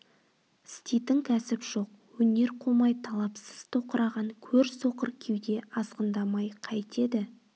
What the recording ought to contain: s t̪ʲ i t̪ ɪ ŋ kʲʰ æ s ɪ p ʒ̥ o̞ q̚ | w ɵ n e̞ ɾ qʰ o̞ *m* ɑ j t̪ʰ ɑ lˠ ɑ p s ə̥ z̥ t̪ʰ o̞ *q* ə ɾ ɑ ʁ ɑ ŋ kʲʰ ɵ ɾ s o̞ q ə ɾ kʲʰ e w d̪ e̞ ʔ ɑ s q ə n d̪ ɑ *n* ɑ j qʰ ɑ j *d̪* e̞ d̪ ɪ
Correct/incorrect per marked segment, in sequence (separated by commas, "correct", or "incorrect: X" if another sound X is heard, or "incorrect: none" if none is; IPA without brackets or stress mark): correct, correct, incorrect: m, incorrect: t̪